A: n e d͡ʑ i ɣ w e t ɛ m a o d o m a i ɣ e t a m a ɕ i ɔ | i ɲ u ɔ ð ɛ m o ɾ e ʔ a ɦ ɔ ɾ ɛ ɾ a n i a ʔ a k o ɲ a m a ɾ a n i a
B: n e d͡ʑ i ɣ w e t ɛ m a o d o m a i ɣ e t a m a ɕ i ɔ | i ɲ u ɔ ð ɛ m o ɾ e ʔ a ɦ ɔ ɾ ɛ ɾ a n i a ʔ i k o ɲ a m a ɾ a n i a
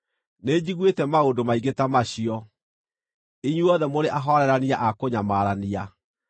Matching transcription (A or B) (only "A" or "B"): A